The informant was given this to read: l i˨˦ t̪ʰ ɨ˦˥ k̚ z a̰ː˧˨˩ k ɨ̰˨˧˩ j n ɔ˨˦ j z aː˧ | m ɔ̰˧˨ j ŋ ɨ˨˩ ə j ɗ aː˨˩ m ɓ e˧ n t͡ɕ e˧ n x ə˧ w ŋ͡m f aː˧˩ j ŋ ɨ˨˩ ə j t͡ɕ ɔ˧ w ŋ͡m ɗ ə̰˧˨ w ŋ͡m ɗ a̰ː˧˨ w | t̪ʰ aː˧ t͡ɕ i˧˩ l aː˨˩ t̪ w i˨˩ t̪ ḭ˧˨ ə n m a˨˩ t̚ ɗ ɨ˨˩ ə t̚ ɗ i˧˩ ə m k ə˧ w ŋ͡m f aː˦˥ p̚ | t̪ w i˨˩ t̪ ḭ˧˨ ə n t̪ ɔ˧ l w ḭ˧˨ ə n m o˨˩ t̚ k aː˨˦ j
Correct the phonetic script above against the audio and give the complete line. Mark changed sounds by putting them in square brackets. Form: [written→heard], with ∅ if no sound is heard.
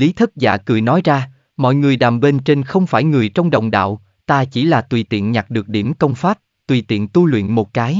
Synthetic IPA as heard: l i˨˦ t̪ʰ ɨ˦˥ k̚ z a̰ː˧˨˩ k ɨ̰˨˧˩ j n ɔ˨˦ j z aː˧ | m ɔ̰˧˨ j ŋ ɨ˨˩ ə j ɗ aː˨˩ m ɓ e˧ n t͡ɕ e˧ n x ə˧ w ŋ͡m f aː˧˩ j ŋ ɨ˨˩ ə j t͡ɕ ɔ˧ w ŋ͡m ɗ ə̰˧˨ w ŋ͡m ɗ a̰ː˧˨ w | [t̪ʰ→t̪] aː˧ t͡ɕ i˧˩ l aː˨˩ t̪ w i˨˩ t̪ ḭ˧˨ ə n [m→ɲ] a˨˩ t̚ ɗ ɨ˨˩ ə [t̚→k̚] ɗ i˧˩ ə m k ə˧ w ŋ͡m f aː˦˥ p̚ | t̪ w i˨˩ t̪ ḭ˧˨ ə n t̪ [ɔ˧→u˧] l w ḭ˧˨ ə n m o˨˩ t̚ k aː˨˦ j